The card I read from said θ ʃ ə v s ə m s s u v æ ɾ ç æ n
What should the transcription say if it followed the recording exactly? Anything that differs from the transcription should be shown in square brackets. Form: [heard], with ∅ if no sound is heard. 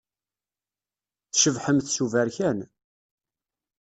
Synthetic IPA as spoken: θ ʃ ə v [ħ] ə m [θ] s u v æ ɾ ç æ n